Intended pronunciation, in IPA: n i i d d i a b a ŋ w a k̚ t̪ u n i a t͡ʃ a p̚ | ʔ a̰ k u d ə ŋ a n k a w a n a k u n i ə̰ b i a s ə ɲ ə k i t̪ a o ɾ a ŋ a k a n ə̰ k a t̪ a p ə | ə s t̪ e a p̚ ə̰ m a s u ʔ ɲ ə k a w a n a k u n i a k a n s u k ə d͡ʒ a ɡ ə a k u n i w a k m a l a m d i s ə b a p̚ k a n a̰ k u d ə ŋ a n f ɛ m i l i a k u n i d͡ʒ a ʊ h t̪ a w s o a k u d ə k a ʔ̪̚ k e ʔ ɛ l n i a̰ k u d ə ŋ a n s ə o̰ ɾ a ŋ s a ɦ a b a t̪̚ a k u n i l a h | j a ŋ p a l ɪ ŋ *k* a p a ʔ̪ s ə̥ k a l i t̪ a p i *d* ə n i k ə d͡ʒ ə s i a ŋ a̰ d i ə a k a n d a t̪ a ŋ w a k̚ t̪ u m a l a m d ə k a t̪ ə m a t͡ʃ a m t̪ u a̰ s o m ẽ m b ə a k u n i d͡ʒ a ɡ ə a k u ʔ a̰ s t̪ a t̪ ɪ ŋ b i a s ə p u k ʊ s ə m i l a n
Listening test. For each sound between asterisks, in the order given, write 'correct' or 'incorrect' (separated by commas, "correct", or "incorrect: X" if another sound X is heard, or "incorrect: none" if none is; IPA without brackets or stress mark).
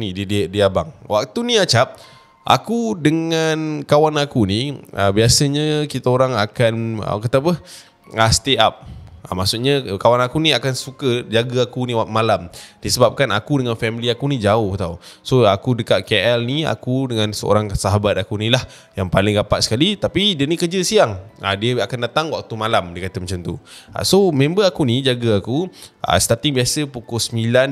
incorrect: ɡ, correct